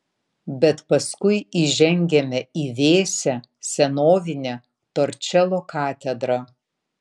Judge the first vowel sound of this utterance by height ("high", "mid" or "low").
mid